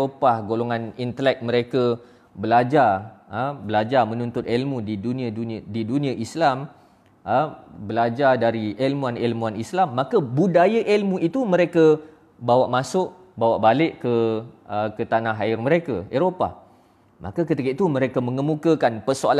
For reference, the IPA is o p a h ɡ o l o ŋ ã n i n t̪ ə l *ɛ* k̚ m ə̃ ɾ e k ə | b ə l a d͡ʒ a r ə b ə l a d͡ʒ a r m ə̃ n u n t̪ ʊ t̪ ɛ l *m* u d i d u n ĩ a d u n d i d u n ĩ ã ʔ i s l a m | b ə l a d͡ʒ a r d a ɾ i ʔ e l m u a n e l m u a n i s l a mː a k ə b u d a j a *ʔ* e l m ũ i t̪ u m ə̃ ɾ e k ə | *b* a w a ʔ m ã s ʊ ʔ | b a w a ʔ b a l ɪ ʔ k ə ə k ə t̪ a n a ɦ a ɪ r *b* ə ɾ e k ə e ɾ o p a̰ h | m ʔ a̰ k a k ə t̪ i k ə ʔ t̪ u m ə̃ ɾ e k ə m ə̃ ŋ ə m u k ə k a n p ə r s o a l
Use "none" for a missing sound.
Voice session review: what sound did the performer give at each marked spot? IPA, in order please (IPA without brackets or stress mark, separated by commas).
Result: ɛ, m, ʔ, b, m